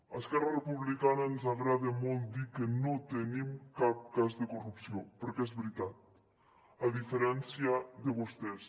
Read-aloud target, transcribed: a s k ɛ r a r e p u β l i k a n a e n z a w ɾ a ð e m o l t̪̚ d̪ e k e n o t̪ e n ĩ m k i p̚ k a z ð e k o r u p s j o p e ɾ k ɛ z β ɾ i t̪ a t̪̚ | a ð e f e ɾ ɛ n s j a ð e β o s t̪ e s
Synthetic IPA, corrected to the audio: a s k ɛ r a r e p u β l i k a n a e n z a ɣ ɾ a ð e m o l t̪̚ d̪ i k e n o t̪ e n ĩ m k a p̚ k a z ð e k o r u p s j o p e ɾ k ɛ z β ɾ i t̪ a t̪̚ | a ð i f e ɾ ɛ n s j a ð e β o s t̪ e s